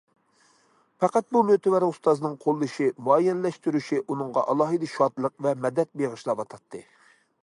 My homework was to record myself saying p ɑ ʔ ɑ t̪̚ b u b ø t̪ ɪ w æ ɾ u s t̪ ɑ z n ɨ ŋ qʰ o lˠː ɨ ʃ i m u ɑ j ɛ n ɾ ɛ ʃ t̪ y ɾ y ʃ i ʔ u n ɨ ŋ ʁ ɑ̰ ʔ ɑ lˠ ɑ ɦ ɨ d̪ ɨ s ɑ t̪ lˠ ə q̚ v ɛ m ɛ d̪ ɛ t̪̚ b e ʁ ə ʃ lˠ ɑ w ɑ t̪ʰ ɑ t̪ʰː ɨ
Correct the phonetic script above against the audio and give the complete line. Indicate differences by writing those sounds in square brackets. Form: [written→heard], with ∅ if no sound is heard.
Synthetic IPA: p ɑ [ʔ→q] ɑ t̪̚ b u [b→m] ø t̪ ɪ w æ ɾ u s t̪ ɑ z n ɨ ŋ qʰ o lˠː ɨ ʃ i m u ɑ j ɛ n [ɾ→l] ɛ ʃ t̪ y ɾ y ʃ i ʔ u n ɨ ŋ ʁ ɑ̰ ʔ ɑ lˠ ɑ ɦ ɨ d̪ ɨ [s→ʃ] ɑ t̪ lˠ ə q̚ v ɛ m ɛ d̪ ɛ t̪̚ b e ʁ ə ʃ lˠ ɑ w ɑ t̪ʰ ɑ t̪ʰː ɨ